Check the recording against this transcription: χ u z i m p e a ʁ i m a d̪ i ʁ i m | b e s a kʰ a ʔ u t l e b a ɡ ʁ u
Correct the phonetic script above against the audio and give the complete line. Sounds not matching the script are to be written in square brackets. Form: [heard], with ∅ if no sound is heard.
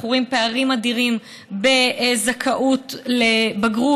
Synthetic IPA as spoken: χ u [ʁ] i m p e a ʁ i m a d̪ i ʁ i m | b e [z] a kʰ a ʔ u t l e b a ɡ ʁ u